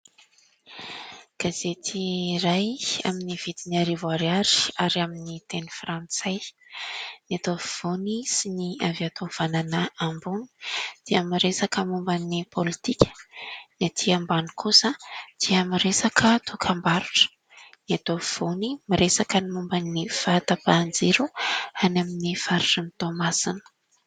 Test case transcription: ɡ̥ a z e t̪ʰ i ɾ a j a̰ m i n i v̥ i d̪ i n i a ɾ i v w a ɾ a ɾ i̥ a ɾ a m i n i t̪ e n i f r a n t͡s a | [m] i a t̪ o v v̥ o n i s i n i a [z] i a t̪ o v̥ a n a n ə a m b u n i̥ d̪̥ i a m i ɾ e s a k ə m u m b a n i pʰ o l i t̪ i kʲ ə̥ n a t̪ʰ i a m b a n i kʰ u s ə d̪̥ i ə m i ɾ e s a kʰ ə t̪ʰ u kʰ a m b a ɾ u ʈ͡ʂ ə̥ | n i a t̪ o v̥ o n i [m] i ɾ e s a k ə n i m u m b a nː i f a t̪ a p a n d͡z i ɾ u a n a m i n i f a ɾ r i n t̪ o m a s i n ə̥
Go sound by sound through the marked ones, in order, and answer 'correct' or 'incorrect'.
incorrect: n, incorrect: v, correct

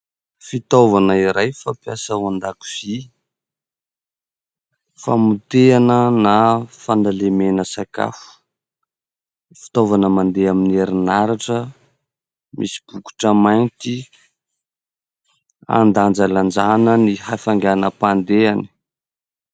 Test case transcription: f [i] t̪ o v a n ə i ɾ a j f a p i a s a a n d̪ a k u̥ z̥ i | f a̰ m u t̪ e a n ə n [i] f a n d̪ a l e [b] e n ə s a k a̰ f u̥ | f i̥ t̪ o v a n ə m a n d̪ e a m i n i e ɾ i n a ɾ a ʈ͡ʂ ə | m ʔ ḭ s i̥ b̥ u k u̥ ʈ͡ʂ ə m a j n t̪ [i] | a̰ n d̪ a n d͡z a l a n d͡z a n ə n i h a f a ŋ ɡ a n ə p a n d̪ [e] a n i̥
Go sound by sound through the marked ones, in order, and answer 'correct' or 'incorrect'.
correct, incorrect: a, incorrect: m, correct, correct

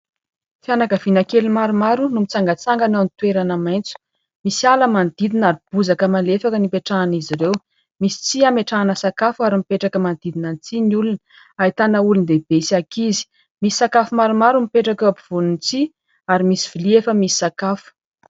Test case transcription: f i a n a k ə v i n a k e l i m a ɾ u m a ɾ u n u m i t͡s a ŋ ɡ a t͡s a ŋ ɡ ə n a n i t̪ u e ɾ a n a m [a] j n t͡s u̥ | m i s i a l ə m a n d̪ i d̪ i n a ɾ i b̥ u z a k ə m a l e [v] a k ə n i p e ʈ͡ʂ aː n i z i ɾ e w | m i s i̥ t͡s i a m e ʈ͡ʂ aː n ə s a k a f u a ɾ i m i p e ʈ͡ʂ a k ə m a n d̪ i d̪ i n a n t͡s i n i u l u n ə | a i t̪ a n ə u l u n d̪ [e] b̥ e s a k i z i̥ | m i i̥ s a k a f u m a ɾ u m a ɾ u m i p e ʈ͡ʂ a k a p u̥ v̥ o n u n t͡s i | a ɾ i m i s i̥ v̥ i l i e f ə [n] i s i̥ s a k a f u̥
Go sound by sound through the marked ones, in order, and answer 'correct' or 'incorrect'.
correct, incorrect: f, correct, incorrect: m

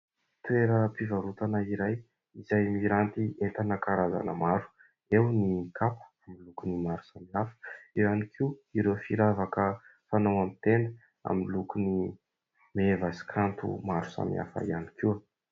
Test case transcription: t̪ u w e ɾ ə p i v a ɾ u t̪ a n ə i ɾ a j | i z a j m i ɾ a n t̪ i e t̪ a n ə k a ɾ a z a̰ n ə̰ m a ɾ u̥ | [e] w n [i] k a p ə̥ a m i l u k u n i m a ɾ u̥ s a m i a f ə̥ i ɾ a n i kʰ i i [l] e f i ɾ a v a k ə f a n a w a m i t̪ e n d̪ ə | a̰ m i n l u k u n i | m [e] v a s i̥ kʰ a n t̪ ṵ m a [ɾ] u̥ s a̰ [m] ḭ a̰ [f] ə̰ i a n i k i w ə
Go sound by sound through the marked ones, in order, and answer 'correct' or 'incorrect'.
correct, correct, incorrect: ɾ, correct, correct, correct, correct

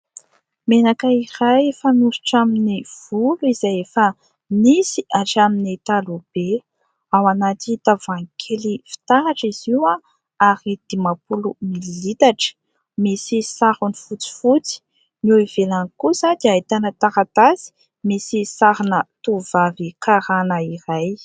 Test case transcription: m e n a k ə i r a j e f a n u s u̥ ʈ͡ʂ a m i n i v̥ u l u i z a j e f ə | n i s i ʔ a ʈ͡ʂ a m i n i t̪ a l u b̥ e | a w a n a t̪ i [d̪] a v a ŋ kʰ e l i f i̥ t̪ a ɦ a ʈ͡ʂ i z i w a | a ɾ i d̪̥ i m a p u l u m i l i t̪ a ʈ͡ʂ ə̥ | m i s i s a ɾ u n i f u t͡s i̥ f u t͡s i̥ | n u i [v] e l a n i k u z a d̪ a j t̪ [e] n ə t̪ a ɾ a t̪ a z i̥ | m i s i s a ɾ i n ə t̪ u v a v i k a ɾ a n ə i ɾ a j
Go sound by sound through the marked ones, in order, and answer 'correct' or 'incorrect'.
incorrect: t̪, correct, incorrect: a

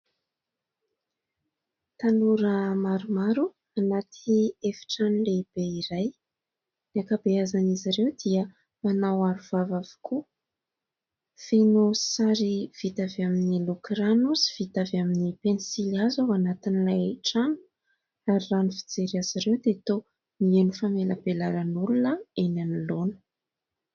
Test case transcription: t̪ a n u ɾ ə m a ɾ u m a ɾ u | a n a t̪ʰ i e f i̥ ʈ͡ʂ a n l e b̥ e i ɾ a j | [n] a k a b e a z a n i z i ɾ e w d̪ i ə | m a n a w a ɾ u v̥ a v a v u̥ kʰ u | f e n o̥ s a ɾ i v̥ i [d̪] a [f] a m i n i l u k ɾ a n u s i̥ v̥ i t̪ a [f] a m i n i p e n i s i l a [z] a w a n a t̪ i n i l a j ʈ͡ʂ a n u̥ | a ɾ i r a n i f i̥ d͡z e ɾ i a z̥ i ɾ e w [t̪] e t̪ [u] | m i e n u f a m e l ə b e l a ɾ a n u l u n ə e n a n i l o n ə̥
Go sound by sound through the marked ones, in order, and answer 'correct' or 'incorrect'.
correct, incorrect: t̪, incorrect: v, incorrect: v, correct, incorrect: d̪, incorrect: o

